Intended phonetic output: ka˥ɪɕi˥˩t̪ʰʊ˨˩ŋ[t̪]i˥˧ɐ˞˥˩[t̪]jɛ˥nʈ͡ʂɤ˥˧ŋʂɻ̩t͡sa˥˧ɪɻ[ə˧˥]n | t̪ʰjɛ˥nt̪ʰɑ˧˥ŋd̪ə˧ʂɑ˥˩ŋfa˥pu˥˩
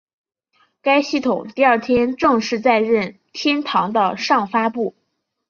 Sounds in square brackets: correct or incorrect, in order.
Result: correct, incorrect, incorrect

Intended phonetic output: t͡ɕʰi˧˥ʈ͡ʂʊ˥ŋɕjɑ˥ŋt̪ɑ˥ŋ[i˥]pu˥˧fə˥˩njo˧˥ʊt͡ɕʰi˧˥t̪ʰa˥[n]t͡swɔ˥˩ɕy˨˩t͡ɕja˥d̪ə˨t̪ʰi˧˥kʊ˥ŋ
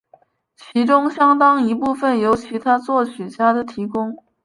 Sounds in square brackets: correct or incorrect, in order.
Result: incorrect, incorrect

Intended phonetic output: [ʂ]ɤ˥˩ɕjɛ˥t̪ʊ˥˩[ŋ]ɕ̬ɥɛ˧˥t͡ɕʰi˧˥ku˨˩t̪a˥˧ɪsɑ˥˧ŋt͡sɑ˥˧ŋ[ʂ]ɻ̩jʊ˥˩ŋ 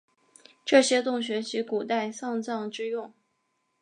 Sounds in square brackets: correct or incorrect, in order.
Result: incorrect, correct, incorrect

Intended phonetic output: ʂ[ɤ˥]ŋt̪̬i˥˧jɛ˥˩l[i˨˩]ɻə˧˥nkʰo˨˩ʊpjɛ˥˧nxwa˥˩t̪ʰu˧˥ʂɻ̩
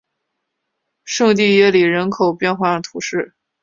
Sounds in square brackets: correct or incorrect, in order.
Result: incorrect, correct

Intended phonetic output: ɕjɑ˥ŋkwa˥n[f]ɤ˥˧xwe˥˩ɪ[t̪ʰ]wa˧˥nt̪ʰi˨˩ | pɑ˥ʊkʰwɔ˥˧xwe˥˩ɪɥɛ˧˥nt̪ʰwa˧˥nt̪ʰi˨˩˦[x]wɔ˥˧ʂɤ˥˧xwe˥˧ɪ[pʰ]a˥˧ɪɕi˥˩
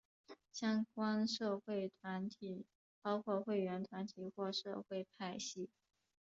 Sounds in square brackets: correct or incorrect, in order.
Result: incorrect, correct, correct, correct

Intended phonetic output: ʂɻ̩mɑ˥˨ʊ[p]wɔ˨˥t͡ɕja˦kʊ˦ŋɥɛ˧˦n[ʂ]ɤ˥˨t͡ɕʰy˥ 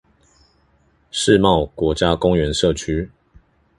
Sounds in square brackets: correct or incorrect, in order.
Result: incorrect, correct

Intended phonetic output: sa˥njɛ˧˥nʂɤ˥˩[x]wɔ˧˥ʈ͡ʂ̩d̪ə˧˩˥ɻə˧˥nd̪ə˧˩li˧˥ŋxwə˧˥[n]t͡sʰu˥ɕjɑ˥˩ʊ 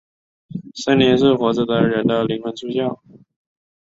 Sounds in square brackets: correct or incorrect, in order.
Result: correct, correct

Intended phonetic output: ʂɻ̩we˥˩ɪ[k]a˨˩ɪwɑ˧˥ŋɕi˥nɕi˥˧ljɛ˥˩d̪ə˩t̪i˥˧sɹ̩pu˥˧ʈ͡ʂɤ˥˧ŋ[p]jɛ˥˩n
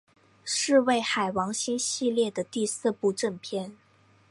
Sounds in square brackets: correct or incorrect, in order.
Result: incorrect, incorrect

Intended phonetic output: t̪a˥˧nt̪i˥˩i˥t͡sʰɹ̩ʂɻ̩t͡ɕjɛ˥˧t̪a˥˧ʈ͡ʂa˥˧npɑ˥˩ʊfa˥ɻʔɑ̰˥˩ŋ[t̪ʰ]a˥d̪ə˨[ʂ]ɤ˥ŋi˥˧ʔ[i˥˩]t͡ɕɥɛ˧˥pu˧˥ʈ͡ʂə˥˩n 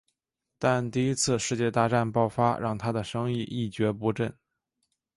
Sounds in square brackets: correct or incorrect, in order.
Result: correct, correct, correct

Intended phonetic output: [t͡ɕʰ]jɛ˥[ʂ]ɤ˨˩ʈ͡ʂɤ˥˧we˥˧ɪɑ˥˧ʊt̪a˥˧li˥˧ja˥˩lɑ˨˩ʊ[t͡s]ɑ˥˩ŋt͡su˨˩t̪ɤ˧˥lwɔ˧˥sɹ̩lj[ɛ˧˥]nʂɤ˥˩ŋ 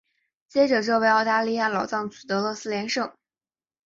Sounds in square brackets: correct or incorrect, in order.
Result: incorrect, incorrect, correct, correct

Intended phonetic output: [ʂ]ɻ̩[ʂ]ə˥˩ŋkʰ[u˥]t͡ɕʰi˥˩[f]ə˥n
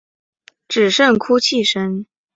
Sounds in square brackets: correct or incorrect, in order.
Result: incorrect, correct, correct, incorrect

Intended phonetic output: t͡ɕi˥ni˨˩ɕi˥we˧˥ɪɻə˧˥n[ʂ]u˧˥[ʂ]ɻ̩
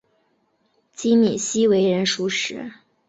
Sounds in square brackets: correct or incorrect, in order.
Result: correct, correct

